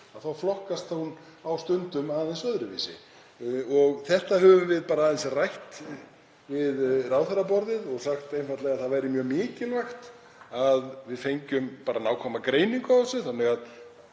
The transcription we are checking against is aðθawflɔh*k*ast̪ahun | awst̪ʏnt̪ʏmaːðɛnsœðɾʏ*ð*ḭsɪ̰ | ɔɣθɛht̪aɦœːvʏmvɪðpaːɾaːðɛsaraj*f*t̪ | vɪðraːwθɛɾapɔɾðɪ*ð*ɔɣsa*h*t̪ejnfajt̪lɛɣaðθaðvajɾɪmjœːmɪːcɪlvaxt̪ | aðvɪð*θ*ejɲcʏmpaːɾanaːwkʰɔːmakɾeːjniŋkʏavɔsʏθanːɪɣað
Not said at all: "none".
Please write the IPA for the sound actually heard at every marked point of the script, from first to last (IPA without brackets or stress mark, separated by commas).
k, v, h, ð, x, f